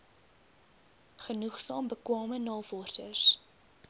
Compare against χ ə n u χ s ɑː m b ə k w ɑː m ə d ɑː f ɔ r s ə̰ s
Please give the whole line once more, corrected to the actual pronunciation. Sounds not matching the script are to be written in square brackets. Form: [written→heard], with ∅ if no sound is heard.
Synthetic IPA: χ ə n u χ s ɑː m b ə k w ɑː m ə [d→n] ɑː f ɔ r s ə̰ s